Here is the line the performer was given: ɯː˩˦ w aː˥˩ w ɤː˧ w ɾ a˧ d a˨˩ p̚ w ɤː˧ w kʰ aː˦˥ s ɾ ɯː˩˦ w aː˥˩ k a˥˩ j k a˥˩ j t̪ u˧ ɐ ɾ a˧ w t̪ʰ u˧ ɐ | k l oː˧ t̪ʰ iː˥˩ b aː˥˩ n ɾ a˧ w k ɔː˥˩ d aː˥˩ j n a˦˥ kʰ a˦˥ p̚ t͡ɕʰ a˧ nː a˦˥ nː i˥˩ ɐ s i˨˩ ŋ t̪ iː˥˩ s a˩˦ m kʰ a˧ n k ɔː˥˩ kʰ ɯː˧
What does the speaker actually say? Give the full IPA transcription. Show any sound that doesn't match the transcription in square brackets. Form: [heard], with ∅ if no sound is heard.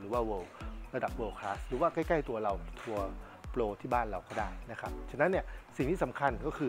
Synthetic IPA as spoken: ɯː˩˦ w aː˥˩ w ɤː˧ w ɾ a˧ d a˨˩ p̚ w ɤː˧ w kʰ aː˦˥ s ɾ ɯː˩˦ w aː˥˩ k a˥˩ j k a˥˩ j t̪ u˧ ɐ ɾ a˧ w t̪ʰ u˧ ɐ | [p] l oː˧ t̪ʰ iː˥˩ b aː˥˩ n ɾ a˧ w k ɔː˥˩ d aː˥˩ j n a˦˥ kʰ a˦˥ p̚ t͡ɕʰ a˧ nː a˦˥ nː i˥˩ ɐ s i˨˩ ŋ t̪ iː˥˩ s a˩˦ m kʰ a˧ n k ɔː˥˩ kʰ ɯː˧